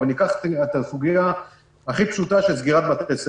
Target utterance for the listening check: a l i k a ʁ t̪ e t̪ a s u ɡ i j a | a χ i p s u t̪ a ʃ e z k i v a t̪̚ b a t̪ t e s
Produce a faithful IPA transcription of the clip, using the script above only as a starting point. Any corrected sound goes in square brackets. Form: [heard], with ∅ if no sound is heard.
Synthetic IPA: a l i k a [χ] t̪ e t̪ a s u ɡ i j a | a χ i p [ʃ] u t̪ a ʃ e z [ɡ] i [ʁ] a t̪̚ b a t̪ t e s